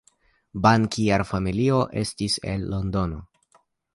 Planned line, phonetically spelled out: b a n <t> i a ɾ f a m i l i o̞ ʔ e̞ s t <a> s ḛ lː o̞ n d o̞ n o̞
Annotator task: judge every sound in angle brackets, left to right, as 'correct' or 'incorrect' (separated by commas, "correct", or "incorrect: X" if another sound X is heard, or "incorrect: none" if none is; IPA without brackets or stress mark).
incorrect: k, incorrect: i